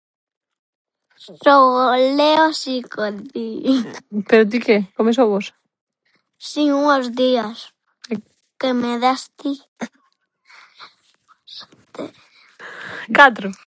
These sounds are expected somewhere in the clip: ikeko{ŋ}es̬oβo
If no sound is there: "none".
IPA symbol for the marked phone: m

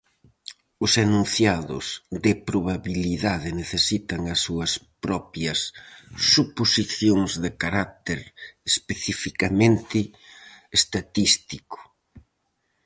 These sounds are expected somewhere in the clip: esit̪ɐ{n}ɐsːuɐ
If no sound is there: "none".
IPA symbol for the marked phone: ŋ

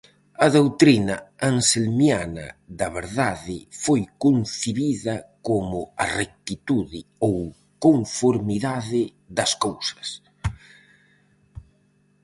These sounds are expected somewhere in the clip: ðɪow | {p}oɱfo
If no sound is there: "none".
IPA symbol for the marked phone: k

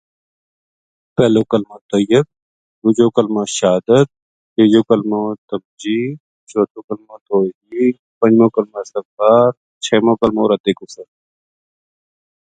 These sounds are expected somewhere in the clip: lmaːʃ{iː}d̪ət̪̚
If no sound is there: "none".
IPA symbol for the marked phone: aː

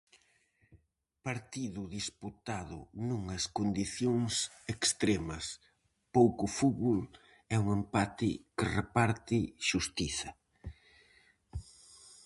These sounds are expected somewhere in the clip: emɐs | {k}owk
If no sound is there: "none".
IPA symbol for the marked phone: p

